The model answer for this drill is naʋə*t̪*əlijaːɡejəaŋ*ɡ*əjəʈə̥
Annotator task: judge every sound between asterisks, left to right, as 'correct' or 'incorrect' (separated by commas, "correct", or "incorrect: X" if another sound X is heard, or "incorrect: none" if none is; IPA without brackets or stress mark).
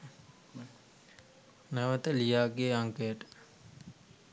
correct, incorrect: k